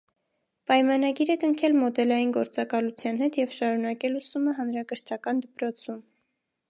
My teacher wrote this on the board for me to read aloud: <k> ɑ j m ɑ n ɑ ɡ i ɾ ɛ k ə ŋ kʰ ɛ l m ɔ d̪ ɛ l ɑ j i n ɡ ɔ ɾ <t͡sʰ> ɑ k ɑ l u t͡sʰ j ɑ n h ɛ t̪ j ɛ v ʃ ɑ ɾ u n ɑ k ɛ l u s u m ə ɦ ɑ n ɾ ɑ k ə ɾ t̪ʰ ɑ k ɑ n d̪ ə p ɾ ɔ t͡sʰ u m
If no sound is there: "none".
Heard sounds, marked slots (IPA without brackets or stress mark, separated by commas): p, t͡s